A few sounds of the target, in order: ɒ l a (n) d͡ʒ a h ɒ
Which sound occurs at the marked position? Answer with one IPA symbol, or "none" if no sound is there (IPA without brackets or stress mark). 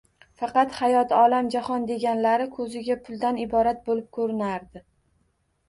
m